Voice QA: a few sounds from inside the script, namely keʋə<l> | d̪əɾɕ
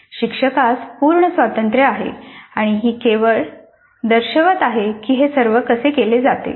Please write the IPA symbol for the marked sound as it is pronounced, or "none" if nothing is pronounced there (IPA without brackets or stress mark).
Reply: ɭ